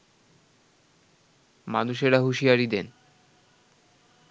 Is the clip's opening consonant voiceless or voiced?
voiced